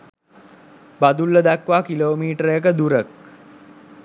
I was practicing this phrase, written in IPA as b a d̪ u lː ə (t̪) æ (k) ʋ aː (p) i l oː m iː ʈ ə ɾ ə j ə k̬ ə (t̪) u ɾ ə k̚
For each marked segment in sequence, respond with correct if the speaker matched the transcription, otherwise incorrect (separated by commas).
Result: incorrect, correct, incorrect, incorrect